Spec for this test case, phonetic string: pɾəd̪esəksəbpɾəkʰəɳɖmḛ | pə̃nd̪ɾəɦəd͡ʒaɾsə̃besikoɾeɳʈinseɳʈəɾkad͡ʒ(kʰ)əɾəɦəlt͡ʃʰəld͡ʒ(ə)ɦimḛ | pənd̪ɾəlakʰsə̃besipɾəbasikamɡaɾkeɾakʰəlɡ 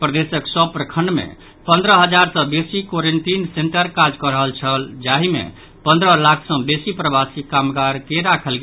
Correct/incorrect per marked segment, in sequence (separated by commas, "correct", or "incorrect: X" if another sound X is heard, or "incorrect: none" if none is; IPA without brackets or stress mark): incorrect: k, incorrect: a